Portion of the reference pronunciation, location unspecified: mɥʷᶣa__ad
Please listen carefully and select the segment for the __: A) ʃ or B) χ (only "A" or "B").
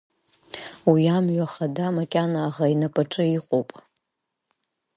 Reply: B